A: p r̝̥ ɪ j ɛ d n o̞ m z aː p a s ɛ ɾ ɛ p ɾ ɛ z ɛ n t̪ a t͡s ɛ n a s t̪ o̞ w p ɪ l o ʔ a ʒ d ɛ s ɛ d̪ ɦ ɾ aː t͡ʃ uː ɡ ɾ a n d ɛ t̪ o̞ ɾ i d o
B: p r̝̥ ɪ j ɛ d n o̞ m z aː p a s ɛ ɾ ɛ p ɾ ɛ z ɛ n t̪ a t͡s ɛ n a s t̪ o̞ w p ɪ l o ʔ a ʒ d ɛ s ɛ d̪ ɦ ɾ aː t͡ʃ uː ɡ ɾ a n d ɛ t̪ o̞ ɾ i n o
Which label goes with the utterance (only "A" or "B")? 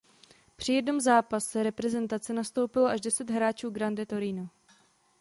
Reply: B